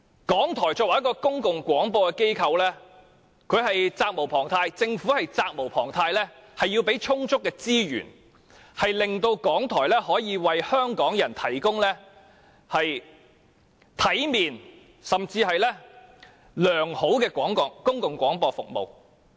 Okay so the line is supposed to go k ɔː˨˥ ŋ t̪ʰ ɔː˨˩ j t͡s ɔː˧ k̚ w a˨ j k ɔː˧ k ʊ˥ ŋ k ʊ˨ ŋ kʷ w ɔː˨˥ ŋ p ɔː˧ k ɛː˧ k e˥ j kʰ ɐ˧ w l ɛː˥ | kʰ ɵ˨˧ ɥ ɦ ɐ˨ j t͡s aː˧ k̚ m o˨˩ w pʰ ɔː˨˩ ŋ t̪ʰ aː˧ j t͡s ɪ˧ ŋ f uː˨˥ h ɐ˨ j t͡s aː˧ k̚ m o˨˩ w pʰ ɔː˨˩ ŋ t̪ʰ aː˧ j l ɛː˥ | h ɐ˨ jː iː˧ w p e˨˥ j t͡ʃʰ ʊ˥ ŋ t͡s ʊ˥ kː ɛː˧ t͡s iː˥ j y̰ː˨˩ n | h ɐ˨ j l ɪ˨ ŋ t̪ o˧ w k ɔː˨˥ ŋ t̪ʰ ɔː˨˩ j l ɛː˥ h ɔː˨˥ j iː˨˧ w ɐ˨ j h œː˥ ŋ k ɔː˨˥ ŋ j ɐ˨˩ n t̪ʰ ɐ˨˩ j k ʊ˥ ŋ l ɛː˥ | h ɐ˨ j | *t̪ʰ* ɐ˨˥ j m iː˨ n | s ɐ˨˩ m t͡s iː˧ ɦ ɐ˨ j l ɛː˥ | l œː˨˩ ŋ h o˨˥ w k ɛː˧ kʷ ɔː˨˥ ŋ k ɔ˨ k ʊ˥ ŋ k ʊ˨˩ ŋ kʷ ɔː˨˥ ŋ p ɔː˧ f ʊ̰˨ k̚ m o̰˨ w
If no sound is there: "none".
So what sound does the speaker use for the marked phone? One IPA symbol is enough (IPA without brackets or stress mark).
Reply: t̪ʰ